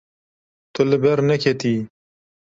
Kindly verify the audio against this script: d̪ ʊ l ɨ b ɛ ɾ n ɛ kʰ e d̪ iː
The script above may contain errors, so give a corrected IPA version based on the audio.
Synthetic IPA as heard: t̪ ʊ l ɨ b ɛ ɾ n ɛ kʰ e t̪ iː

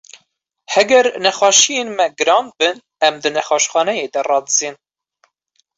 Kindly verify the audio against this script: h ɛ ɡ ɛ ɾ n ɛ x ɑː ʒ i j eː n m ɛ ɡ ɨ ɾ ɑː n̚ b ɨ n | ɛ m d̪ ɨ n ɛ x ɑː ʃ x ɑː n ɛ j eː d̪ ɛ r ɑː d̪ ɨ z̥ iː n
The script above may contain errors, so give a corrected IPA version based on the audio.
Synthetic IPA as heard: h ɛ ɡ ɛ ɾ n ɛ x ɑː ʃ i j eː n m ɛ ɡ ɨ ɾ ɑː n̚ b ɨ n | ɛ m d̪ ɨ n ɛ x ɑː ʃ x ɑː n ɛ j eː d̪ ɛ r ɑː d̪ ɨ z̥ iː n

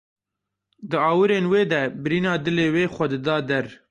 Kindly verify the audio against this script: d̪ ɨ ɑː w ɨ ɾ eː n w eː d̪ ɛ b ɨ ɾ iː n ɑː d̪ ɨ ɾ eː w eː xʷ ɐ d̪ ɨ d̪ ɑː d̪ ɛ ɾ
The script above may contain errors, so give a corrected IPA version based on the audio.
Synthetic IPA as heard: d̪ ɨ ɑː w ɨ ɾ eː n w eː d̪ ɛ b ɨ ɾ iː n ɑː d̪ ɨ l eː w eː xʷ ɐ d̪ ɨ d̪ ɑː d̪ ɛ ɾ

